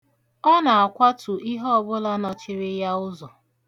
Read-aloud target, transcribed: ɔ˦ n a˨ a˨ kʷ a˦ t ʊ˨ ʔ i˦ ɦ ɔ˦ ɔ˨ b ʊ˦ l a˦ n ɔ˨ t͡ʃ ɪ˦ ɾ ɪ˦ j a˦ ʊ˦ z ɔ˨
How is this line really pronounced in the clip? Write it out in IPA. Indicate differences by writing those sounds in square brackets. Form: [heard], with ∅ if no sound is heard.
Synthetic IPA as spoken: ɔ˦ n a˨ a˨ kʷ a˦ t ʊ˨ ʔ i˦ ɦ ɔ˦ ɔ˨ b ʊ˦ l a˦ n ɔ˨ t͡ʃ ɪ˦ ɾ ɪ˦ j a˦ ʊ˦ z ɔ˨